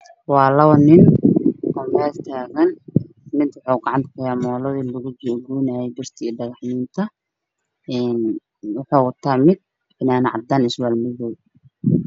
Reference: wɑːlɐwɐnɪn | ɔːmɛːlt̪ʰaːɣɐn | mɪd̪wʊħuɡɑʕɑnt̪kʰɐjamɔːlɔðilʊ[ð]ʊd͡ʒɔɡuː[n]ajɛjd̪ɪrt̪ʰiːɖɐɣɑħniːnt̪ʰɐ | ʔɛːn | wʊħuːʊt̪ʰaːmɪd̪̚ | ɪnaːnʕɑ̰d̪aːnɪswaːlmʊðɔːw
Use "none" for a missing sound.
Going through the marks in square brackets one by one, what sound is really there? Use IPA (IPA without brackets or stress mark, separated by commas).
ɣ, n